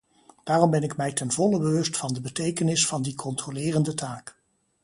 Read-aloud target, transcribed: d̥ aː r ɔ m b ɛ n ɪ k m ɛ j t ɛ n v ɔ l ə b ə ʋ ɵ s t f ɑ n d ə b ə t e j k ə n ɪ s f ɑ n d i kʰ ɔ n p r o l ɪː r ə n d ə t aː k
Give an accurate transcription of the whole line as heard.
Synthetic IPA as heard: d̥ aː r ɔ m b ɛ n ɪ k m ɛ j t ɛ n v ɔ l ə b ə ʋ ɵ s t f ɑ n d ə b ə t e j k ə n ɪ s f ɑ n d i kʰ ɔ n t r o l ɪː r ə n d ə t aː k